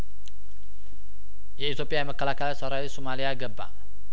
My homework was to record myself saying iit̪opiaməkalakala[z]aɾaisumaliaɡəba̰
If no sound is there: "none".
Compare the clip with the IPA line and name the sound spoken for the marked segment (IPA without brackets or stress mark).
s